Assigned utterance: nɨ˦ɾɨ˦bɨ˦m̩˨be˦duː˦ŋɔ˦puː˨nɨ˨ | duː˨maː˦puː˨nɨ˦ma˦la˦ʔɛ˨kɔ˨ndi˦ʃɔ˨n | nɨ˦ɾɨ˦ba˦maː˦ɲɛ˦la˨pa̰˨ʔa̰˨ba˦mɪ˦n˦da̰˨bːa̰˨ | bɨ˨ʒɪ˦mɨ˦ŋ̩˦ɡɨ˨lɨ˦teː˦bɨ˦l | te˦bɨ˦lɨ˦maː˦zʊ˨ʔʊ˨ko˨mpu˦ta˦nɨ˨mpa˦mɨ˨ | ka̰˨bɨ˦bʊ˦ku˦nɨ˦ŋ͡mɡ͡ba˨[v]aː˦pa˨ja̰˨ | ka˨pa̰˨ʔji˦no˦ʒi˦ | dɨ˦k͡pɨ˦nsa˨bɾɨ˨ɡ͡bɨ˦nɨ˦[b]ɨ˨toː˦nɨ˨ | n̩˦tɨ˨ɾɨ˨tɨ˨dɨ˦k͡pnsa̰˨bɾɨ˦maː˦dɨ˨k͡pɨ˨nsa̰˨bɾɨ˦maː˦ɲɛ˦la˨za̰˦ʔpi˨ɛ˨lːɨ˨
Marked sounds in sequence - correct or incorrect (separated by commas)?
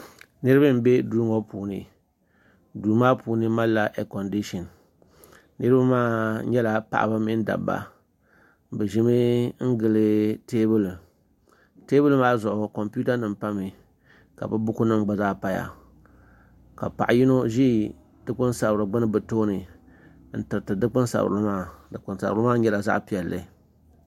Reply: incorrect, correct